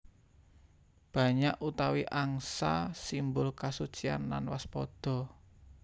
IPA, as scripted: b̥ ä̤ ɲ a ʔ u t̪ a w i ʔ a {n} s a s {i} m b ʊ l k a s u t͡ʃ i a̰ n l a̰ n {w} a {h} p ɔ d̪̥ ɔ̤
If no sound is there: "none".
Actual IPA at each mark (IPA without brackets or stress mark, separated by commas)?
ŋ, i, w, s